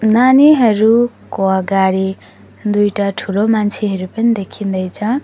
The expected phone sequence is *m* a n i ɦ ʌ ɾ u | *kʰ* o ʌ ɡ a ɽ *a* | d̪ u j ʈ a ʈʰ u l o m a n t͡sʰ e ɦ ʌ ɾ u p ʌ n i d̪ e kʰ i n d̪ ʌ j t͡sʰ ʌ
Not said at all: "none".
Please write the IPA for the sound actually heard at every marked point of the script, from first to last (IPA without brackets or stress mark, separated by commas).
n, k, i